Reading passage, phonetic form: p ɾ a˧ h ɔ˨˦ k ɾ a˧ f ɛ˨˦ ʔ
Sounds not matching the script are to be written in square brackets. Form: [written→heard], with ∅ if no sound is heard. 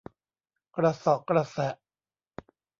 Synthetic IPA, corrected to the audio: [p→k] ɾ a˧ [h→s] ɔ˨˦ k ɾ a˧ [f→s] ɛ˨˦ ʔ

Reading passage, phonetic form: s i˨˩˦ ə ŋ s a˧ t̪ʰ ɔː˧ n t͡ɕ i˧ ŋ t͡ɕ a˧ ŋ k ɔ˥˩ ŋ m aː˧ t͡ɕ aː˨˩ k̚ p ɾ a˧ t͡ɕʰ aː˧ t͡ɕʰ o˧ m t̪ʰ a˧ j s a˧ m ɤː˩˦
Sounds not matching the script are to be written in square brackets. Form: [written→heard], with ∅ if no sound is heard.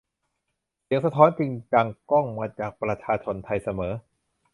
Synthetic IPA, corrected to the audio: s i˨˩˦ ə ŋ s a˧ t̪ʰ [ɔː˧→ɔː˦˥] n t͡ɕ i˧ ŋ t͡ɕ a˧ ŋ k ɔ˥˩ ŋ m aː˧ t͡ɕ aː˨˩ k̚ p ɾ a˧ t͡ɕʰ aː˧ t͡ɕʰ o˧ [m→n] t̪ʰ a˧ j s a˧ m ɤː˩˦

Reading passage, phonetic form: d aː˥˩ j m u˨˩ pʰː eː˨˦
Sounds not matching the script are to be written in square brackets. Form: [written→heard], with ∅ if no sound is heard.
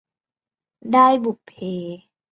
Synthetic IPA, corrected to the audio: d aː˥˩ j [m→b] u˨˩ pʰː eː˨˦

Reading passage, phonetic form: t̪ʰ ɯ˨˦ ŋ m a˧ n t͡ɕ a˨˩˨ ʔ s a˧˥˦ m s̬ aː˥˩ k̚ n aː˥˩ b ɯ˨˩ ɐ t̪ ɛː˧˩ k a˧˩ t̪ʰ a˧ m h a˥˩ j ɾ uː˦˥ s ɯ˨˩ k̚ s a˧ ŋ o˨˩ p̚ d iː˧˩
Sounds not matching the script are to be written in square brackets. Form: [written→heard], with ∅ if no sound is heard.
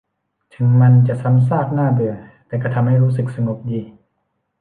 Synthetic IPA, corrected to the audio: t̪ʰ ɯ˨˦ ŋ m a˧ n t͡ɕ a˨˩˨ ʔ s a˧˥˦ m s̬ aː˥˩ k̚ n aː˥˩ b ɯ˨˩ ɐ t̪ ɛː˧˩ k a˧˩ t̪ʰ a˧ m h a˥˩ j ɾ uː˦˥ s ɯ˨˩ k̚ s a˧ ŋ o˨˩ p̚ d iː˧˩

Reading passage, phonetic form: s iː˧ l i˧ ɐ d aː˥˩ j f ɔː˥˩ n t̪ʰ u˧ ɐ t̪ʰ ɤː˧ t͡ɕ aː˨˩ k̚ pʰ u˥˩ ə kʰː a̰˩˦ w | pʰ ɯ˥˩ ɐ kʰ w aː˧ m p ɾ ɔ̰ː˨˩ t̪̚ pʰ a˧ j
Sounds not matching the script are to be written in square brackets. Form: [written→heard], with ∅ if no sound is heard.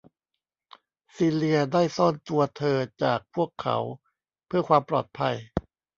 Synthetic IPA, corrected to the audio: s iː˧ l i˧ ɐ d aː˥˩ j [f→s] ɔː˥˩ n [t̪ʰ→t̪] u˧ ɐ t̪ʰ ɤː˧ t͡ɕ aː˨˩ k̚ pʰ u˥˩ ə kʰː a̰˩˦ w | pʰ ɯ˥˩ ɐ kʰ w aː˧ m p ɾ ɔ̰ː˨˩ t̪̚ pʰ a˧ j

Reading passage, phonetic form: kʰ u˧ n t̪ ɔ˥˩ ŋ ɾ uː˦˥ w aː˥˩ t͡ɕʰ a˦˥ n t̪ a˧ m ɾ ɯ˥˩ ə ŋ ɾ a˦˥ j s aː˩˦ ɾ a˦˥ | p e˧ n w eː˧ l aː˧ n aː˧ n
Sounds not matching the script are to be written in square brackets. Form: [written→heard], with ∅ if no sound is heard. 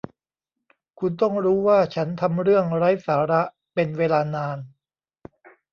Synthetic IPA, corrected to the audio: kʰ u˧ n t̪ ɔ˥˩ ŋ ɾ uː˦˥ w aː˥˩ t͡ɕʰ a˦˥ n [t̪→t̪ʰ] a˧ m ɾ ɯ˥˩ ə ŋ ɾ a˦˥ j s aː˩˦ ɾ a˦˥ | p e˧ n w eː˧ l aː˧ n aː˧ n

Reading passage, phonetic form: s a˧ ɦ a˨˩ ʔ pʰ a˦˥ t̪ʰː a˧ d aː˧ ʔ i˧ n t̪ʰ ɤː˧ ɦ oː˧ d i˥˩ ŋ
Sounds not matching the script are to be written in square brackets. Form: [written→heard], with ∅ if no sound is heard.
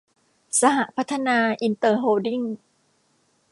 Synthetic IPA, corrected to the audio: s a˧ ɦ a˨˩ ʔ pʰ a˦˥ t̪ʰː a˧ [d→n] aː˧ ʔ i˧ n [t̪ʰ→t̪] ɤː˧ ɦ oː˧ d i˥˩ ŋ

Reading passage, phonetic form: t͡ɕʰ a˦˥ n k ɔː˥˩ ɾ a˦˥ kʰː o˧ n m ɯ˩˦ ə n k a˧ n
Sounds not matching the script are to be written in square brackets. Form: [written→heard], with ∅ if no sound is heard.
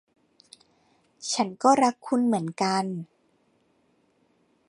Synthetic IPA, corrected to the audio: t͡ɕʰ a˦˥ n k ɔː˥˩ ɾ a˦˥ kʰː [o˧→u˧] n m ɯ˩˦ ə n k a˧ n

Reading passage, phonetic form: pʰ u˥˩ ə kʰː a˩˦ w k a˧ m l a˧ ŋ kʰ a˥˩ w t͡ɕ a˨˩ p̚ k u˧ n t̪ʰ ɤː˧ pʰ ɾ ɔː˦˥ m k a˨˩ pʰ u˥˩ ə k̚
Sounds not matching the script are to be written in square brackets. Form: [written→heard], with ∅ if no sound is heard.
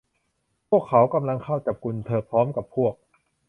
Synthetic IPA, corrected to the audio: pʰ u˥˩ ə kʰː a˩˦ w k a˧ m l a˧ ŋ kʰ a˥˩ w t͡ɕ a˨˩ p̚ k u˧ n t̪ʰ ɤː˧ pʰ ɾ ɔː˦˥ m k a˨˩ pʰ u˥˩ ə k̚

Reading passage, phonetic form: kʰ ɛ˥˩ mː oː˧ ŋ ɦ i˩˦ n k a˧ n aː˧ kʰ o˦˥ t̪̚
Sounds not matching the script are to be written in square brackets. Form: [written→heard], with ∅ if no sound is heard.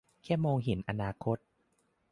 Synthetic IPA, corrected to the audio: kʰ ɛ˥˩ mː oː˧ ŋ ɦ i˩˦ n [k→ʔ] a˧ n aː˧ kʰ o˦˥ t̪̚

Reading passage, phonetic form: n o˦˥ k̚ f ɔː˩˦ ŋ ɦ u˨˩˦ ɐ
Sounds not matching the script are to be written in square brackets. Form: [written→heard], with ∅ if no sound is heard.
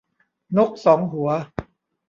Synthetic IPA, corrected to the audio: n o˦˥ k̚ [f→s] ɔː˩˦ ŋ ɦ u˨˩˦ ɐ

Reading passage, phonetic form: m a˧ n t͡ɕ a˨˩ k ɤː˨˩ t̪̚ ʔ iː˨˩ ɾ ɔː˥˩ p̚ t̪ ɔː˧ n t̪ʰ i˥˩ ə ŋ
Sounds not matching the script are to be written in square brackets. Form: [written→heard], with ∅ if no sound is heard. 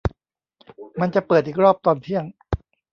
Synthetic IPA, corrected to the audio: m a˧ n t͡ɕ a˨˩ [k→p] ɤː˨˩ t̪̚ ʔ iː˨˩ ɾ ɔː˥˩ p̚ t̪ ɔː˧ n t̪ʰ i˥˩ ə ŋ

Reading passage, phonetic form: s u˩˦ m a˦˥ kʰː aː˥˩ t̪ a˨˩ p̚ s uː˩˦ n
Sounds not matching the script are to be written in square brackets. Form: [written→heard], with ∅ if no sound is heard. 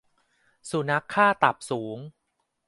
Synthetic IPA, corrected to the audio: s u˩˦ [m→n] a˦˥ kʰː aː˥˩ t̪ a˨˩ p̚ s uː˩˦ [n→ŋ]

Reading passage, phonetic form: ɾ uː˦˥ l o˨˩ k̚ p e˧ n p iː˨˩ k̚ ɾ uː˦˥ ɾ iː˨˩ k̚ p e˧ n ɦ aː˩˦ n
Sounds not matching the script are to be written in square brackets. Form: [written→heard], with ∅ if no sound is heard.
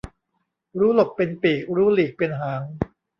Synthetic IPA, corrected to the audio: ɾ uː˦˥ l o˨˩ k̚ p e˧ n p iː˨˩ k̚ ɾ uː˦˥ [ɾ→l] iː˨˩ k̚ p e˧ n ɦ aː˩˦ [n→ŋ]

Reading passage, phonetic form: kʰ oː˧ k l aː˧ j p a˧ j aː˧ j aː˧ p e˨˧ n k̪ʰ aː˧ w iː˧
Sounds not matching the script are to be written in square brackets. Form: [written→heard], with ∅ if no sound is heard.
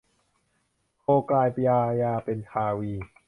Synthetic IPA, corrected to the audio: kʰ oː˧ k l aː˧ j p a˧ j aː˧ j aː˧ p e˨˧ n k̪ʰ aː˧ w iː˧

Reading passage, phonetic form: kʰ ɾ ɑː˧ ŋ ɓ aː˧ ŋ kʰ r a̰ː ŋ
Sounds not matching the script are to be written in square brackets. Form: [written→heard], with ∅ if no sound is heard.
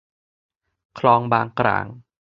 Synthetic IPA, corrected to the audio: kʰ [ɾ→l] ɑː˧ ŋ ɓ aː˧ ŋ [kʰ→k] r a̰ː ŋ

